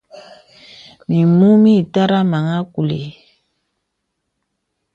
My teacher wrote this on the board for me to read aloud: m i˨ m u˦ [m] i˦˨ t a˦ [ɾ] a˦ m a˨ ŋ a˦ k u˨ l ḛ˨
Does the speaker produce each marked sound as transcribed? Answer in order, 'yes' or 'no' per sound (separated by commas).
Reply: yes, yes